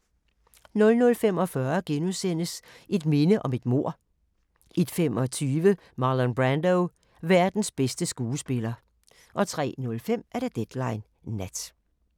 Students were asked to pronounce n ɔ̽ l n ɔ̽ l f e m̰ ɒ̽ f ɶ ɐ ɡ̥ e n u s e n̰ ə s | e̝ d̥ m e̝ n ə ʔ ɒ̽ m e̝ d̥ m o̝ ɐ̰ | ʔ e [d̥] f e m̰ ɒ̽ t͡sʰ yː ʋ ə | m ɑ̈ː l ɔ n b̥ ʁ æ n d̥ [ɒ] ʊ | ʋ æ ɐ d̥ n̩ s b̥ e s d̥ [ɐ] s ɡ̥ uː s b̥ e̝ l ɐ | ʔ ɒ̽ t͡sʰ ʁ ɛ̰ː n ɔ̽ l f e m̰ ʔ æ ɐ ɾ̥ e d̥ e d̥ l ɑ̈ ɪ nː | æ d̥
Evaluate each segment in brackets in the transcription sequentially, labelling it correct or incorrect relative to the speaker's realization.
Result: correct, incorrect, incorrect

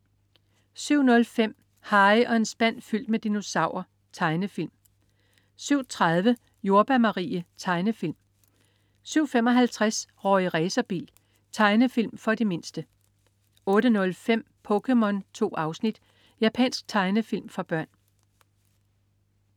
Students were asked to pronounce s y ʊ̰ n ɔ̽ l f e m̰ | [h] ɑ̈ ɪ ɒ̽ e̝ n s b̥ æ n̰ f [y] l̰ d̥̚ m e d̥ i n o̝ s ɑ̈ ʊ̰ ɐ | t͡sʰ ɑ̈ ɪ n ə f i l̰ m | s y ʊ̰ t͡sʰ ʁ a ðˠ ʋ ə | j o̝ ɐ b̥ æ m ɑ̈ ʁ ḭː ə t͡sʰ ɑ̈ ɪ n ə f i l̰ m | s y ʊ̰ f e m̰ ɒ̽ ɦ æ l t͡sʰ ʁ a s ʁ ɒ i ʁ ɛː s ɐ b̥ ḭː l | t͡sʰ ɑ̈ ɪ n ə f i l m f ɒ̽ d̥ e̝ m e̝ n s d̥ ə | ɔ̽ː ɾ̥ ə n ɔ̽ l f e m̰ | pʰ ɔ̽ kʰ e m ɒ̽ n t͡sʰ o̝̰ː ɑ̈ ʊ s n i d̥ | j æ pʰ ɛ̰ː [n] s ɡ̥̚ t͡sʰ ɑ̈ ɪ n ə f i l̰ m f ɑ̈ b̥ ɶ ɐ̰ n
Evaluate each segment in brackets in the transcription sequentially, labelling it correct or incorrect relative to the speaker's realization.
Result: correct, correct, correct

